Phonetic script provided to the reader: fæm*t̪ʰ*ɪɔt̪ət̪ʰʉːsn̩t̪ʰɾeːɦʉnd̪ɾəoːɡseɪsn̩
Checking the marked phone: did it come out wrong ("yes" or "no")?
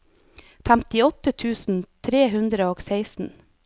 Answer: yes